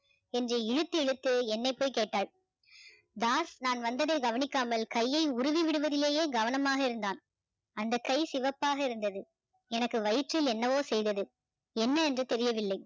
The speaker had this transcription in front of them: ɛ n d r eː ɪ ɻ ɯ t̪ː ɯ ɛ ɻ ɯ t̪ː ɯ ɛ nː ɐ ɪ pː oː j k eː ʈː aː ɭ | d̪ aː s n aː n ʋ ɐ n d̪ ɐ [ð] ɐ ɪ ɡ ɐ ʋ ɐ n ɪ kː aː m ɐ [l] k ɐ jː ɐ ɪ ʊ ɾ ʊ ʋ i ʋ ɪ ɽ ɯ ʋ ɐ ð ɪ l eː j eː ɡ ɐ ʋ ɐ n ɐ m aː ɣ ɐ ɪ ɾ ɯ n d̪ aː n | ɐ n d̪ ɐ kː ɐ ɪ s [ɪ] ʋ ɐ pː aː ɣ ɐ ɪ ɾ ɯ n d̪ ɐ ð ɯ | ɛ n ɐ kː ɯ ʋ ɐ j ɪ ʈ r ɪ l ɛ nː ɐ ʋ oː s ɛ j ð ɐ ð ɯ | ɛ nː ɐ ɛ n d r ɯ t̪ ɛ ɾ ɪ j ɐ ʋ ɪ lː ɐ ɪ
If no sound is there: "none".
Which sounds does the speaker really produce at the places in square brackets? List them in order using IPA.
ð, l, ɪ

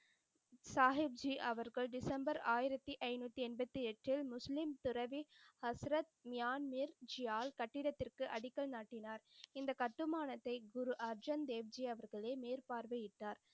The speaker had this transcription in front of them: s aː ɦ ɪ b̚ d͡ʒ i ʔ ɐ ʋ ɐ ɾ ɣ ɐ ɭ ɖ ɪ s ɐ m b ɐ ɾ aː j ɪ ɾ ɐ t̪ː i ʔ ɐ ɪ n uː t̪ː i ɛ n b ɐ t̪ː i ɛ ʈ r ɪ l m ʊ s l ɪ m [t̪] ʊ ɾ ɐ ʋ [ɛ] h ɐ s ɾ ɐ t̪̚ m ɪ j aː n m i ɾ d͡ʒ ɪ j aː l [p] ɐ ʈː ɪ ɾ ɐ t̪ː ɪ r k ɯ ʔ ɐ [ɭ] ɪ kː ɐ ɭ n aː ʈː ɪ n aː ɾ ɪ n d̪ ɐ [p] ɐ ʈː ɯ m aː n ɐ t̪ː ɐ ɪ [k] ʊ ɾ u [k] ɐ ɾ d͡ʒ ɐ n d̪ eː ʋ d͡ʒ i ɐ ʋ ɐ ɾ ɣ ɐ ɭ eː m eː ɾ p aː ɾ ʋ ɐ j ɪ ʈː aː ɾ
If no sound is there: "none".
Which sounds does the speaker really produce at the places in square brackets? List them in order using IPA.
t̪, i, k, ɽ, k, ɡ, ʔ

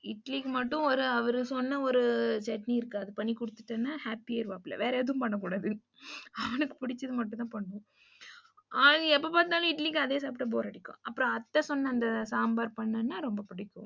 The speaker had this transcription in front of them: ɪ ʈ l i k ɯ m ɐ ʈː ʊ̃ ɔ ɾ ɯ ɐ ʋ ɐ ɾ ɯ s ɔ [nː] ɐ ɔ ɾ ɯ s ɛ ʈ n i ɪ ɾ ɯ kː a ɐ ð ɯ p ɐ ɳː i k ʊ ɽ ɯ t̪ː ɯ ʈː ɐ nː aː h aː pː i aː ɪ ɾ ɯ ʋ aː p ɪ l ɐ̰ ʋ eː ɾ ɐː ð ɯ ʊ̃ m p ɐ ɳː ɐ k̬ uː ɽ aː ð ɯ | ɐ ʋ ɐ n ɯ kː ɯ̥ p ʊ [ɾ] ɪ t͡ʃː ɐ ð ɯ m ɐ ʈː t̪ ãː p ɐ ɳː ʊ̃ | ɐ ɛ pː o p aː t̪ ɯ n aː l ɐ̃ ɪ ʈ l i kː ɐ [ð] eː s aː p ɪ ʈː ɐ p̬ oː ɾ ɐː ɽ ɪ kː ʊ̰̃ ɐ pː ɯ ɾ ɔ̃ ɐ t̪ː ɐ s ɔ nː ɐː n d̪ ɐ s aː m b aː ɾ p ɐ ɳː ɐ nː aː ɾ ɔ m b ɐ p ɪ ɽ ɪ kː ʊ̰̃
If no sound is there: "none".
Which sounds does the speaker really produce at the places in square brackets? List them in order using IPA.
nː, ɽ, ð

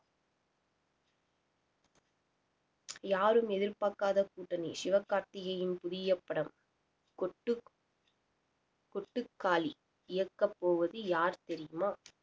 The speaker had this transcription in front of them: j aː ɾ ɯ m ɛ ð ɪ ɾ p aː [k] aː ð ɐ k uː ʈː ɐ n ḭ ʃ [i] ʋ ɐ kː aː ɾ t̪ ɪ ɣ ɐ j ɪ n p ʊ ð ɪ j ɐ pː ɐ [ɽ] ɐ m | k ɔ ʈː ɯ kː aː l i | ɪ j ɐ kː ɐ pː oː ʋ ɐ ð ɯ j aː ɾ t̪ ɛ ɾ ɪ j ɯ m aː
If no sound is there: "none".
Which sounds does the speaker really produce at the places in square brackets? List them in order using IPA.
k, ɪ, ɽ

